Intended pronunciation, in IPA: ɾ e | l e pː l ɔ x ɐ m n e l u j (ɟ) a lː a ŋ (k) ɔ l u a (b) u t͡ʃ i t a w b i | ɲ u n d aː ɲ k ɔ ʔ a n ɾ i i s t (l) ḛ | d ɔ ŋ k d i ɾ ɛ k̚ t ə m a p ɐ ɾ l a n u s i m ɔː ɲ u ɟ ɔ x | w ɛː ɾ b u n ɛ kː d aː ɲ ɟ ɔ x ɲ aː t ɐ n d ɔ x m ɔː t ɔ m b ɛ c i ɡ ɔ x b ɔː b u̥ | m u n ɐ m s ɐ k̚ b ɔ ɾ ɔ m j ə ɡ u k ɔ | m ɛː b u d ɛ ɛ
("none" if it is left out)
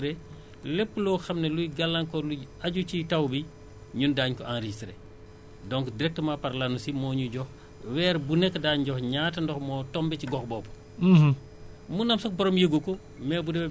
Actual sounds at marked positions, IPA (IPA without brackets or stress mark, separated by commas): ɡ, k, ɟ, ɾ